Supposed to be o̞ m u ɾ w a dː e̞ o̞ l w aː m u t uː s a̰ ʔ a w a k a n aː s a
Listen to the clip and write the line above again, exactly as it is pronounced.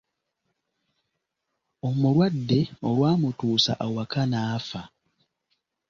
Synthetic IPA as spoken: o̞ m u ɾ w a dː e̞ o̞ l w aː m u t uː s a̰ ʔ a w a k a n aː f a